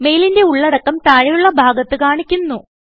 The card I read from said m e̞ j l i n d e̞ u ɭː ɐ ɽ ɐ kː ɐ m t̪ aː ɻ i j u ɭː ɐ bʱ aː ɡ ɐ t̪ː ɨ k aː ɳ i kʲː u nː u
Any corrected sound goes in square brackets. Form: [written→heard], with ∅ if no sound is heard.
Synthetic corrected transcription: m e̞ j l i n d e̞ u ɭː ɐ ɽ ɐ kː ɐ m t̪ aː ɻ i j u ɭː ɐ bʱ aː ɡ ɐ t̪ː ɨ k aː ɳ i kʲː u nː u

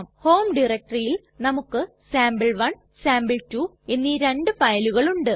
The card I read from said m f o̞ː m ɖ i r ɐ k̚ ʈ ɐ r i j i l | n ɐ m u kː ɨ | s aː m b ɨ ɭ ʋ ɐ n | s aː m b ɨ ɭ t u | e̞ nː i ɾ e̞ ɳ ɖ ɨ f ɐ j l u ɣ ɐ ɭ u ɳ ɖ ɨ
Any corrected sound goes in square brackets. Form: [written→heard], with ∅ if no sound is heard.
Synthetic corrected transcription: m [f→h] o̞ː m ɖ i r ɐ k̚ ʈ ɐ r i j i l | n ɐ m u kː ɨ | s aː m b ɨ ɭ ʋ ɐ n | s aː m b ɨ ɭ t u | e̞ nː i ɾ e̞ ɳ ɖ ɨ f ɐ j l u ɣ ɐ ɭ u ɳ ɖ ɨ

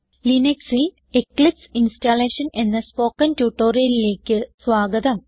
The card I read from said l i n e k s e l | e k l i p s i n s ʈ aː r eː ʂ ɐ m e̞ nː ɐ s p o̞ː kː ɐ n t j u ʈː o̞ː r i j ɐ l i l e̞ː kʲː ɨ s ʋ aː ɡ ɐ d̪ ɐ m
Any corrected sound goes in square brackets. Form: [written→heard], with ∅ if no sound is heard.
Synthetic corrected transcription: l i n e k s [e→i] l | e k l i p s i n s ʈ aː [r→l] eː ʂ ɐ [m→n] e̞ nː ɐ s p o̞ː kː ɐ n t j u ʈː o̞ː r i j ɐ l i l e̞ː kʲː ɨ s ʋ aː ɡ ɐ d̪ ɐ m

